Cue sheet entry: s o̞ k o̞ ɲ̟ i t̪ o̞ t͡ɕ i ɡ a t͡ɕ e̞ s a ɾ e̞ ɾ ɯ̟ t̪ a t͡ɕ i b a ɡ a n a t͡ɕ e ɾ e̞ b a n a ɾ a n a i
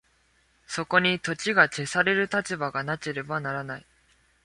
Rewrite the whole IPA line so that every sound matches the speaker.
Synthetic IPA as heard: s o̞ k o̞ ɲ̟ i t̪ o̞ t͡ɕ i ɡ a t͡ɕ e̞ s a ɾ e̞ ɾ ɯ̟ t̪ a t͡ɕ i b a ɡ a n a t͡ɕ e ɾ e̞ b a n a ɾ a n a i